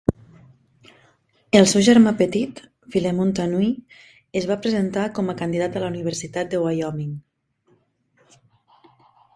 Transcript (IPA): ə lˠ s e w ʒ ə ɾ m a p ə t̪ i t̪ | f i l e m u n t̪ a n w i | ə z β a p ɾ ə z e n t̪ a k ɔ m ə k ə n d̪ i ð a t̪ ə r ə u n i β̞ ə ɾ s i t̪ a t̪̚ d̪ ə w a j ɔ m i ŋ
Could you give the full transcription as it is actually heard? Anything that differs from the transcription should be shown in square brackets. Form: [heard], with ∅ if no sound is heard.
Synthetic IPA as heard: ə lˠ s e w ʒ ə ɾ m a p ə t̪ i t̪ | f i l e m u n t̪ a n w i | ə z β a p ɾ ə z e n t̪ a k ɔ m ə k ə n d̪ i ð a t̪ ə [l] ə u n i β̞ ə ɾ s i t̪ a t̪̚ d̪ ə w a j ɔ m i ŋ